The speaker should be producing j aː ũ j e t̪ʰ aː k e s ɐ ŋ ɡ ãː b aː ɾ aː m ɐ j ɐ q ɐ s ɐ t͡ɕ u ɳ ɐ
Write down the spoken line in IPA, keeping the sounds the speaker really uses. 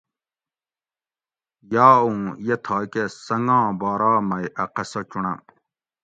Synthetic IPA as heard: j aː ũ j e t̪ʰ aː k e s ɐ ŋ ɡ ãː b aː ɾ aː m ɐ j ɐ q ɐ s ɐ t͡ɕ u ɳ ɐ